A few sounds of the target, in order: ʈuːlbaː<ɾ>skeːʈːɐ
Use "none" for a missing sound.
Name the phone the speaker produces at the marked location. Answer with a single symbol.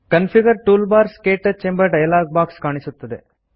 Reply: ɾ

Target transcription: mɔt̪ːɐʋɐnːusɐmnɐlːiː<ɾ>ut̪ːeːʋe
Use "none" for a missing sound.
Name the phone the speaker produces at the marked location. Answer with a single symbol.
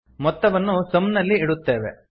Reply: ɽ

